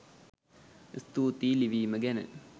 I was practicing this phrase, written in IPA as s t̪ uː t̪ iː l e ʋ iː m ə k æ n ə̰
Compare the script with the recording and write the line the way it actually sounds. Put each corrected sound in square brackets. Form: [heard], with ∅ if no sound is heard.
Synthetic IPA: s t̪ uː t̪ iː l [i] ʋ iː m ə [ɡ] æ n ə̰